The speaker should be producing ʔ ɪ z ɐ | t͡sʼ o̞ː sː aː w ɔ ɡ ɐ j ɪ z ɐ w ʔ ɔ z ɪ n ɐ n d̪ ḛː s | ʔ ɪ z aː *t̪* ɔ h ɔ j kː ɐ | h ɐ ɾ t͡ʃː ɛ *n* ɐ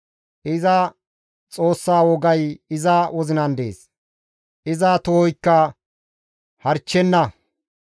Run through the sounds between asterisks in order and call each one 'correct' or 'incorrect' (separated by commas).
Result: correct, incorrect